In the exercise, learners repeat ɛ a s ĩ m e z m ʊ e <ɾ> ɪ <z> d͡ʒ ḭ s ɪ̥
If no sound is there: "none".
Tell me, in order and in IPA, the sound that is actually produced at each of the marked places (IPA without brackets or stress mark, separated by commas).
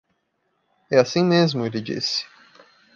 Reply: l, none